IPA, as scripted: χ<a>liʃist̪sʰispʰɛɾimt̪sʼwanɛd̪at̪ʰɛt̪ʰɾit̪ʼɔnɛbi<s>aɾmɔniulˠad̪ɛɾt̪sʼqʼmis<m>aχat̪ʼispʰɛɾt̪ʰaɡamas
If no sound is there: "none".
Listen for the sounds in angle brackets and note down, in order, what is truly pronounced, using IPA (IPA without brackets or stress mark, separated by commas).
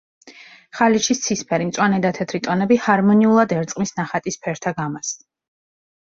a, h, n